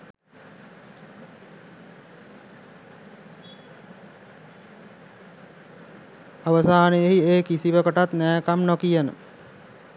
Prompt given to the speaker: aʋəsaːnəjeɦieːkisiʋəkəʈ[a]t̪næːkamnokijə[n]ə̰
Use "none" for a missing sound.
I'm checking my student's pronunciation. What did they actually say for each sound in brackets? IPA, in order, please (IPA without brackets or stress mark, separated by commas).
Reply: a, n